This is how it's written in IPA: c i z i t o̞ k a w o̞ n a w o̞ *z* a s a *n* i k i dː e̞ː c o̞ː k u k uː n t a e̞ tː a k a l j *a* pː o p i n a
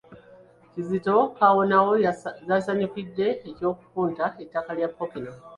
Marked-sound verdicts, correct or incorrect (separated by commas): correct, incorrect, correct